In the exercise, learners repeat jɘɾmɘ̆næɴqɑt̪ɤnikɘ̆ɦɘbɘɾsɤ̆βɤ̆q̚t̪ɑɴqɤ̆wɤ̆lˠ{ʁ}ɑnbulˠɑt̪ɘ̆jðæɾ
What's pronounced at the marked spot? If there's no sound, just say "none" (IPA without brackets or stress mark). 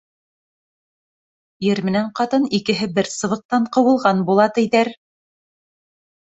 ʁ